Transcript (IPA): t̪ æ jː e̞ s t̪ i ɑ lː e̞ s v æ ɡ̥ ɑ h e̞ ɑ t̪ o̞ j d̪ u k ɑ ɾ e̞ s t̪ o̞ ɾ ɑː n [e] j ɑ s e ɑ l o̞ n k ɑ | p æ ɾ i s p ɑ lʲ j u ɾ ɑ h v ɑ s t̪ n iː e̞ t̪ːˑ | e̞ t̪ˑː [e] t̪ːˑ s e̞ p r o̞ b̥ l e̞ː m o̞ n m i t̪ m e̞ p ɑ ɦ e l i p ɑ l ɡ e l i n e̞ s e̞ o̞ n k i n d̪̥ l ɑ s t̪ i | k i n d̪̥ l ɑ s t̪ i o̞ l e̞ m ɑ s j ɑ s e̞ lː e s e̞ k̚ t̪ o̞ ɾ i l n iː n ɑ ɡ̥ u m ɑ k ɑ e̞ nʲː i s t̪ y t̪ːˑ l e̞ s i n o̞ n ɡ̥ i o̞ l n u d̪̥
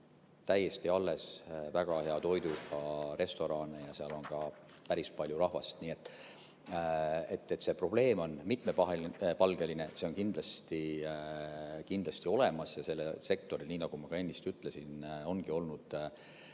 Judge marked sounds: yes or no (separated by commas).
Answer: yes, yes